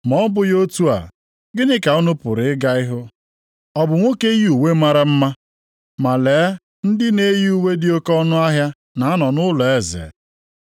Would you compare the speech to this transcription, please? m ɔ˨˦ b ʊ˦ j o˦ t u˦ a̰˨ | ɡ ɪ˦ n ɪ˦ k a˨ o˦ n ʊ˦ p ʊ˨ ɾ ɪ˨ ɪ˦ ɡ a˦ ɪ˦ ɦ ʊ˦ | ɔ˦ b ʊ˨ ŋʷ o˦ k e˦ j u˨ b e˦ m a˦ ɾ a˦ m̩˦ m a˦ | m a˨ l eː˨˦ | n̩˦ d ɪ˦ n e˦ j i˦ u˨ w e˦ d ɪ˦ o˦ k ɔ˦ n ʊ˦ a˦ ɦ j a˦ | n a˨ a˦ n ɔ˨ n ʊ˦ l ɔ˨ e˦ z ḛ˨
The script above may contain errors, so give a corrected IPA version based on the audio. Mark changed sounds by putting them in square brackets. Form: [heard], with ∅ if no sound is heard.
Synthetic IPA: m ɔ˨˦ b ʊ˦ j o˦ t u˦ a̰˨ | ɡ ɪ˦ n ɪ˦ k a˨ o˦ n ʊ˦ p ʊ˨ ɾ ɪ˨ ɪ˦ ɡ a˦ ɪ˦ ɦ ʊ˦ | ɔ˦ b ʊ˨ ŋʷ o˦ k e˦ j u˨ [w] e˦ m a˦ ɾ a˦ m̩˦ m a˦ | m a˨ l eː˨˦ | n̩˦ d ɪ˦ n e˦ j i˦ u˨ w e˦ d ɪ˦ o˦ k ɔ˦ n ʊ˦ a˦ ɦ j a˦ | n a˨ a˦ n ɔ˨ n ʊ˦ l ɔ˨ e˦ z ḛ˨